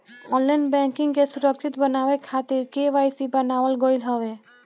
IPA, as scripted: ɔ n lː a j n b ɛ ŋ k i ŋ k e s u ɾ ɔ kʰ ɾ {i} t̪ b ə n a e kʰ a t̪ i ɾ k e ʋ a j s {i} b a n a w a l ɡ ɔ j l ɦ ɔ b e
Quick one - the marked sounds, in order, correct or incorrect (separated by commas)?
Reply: correct, correct